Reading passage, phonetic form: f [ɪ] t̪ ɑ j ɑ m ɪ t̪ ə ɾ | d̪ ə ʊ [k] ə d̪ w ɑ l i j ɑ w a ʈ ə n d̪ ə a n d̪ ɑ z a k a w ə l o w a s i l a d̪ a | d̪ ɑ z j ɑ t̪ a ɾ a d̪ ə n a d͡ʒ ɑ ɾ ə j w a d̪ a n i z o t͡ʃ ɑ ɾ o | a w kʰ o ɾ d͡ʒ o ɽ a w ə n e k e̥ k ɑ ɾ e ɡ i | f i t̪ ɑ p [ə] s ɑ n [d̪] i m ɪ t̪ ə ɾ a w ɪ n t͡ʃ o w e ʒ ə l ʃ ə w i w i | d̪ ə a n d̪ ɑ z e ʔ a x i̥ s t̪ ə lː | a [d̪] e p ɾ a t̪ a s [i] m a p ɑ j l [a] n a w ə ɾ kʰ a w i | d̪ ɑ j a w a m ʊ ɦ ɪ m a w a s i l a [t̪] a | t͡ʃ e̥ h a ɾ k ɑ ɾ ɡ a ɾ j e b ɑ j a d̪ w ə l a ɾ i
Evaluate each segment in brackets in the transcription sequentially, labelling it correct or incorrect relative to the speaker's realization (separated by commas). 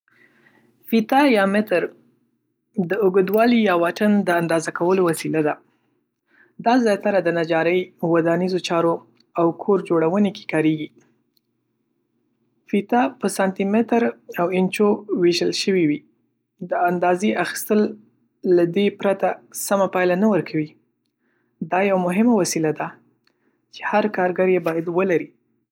incorrect, incorrect, correct, incorrect, correct, incorrect, correct, incorrect